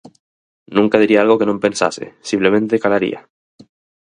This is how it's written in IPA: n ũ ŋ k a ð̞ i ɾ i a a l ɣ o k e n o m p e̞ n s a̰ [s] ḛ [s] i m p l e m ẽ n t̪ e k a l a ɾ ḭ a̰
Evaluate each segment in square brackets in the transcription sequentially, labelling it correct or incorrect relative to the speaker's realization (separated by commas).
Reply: correct, correct